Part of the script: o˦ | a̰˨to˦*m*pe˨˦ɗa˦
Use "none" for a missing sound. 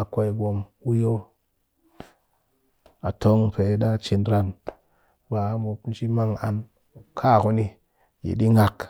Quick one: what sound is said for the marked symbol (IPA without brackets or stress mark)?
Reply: ŋ